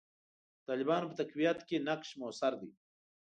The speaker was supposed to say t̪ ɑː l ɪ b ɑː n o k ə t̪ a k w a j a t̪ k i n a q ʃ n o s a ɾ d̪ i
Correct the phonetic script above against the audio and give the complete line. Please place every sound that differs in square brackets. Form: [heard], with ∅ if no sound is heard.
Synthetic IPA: t̪ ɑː l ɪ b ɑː n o [p] ə t̪ a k w [i] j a t̪ k [e] n a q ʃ [m] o s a ɾ d̪ i